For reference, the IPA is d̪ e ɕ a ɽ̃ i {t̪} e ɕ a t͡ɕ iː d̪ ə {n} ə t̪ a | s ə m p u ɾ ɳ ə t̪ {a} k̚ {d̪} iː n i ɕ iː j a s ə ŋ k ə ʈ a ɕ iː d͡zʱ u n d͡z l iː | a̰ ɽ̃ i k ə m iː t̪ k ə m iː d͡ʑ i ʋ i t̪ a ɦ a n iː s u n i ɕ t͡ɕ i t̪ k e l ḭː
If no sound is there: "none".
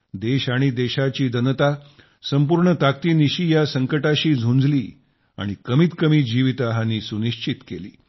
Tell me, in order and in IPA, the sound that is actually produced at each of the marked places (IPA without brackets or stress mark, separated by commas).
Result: d̪, n, a, t̪